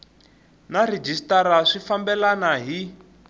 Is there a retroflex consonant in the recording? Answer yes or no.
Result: yes